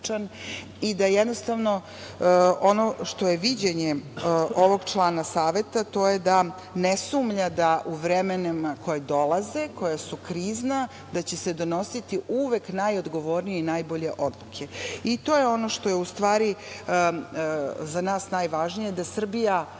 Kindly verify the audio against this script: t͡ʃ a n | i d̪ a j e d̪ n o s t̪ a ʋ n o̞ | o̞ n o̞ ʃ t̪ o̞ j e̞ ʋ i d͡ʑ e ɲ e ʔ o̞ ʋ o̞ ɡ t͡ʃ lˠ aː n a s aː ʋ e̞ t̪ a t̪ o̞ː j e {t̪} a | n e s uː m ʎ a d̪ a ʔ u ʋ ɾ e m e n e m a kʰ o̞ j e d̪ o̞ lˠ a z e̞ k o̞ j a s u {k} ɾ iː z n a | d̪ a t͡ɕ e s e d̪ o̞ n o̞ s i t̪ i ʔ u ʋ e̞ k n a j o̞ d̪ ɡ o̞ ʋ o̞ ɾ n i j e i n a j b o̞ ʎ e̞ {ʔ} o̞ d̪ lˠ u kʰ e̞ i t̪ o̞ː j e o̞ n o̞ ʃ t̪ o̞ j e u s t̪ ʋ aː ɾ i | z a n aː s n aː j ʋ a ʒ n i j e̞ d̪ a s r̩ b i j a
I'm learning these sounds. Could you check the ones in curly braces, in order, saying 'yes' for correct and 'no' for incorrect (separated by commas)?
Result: no, yes, yes